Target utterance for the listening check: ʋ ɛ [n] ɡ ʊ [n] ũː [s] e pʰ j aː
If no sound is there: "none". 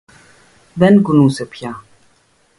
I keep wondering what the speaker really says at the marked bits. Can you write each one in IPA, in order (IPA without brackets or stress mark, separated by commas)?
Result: n, n, s